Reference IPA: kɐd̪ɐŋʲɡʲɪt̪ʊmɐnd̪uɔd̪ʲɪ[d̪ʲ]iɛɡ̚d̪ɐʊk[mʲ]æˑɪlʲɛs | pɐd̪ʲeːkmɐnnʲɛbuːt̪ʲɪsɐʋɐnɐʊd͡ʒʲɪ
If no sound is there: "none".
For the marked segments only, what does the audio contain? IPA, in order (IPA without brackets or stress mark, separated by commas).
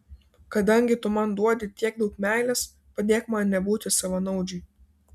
t̪ʲ, mʲ